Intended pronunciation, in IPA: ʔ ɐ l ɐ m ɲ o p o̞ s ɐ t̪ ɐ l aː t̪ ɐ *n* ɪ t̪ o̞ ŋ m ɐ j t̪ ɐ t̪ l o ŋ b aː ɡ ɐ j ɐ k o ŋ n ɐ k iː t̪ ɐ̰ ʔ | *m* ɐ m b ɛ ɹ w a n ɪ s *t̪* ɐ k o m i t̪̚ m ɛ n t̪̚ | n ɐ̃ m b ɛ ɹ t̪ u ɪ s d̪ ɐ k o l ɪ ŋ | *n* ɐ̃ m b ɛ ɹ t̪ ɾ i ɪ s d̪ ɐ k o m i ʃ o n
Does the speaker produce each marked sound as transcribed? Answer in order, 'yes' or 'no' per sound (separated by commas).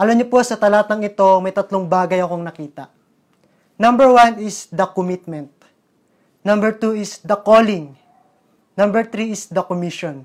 no, no, no, yes